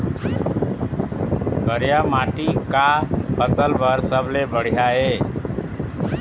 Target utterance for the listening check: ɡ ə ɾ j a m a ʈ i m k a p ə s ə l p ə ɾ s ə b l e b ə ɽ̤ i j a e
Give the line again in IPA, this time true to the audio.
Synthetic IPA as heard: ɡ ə ɾ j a m a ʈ i k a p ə s ə l b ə ɾ s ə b l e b ə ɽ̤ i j a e